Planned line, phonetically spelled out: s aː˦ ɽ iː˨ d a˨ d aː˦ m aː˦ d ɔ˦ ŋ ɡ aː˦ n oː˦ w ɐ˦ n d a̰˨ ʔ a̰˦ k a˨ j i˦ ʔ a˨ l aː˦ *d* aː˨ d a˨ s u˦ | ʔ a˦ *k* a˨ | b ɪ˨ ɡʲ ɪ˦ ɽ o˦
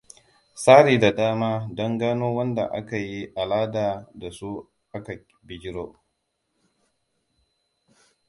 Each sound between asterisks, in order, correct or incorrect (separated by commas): correct, correct